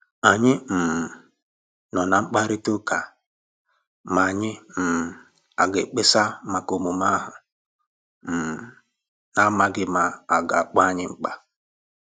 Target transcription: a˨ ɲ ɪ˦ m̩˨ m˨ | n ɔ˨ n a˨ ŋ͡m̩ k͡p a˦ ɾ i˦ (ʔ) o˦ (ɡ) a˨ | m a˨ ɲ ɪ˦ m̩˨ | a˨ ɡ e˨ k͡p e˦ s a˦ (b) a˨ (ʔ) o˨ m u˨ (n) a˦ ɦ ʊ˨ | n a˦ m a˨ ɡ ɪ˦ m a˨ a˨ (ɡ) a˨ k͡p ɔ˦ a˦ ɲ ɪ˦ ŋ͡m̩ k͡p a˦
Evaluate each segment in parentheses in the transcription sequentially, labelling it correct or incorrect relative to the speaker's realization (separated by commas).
incorrect, incorrect, incorrect, incorrect, incorrect, correct